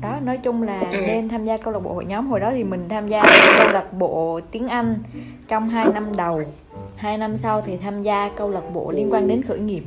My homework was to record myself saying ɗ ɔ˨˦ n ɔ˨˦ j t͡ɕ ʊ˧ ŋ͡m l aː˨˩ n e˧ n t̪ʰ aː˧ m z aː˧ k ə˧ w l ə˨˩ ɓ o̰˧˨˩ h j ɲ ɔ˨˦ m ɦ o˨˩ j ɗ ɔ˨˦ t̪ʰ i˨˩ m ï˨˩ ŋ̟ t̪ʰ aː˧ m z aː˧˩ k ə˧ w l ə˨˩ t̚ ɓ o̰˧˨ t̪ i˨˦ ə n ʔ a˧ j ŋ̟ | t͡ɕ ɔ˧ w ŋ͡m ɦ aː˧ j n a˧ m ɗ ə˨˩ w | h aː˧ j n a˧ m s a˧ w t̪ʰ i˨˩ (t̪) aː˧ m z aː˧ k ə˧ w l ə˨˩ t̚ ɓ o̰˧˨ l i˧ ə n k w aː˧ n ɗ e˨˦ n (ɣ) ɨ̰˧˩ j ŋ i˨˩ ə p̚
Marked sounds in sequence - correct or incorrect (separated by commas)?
incorrect, incorrect